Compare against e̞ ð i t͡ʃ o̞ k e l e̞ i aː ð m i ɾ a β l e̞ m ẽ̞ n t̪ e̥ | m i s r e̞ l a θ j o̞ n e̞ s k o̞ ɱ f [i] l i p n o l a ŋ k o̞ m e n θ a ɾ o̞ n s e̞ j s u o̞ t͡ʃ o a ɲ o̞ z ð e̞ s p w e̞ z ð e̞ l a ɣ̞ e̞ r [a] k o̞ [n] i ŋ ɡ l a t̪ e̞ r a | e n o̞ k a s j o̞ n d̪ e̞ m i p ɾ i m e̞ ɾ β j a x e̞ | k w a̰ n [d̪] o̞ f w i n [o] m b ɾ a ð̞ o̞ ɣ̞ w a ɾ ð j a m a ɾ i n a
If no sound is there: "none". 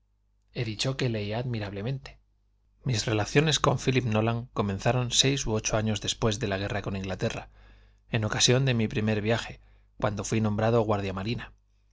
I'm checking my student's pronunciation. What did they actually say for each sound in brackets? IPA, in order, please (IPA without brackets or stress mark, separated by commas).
i, a, n, d̪, õ